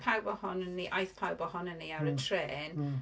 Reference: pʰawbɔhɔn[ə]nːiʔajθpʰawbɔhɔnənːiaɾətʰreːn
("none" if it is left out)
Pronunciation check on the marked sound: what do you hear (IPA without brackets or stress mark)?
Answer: ə